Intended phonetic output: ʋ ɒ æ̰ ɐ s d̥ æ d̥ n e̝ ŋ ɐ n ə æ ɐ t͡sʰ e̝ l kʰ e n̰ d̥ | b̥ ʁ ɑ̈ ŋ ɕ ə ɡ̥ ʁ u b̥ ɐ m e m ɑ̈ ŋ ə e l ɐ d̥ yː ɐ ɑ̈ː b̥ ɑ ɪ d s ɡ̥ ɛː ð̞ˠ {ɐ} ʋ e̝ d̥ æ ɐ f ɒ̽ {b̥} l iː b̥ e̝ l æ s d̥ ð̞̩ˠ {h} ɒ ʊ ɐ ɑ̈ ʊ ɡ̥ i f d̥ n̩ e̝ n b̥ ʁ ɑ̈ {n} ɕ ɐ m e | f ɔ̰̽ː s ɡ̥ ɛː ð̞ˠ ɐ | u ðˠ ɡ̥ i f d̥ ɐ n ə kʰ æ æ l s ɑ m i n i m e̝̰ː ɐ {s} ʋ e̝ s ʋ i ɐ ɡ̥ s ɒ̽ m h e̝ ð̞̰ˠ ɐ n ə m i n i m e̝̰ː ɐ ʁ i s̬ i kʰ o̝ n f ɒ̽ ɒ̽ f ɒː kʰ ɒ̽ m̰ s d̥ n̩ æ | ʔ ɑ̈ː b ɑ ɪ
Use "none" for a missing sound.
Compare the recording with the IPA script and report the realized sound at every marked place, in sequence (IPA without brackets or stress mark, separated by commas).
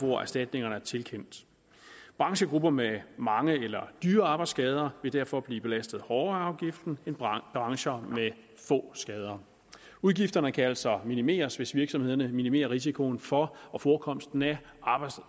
ɐ, b̥, h, ŋ, s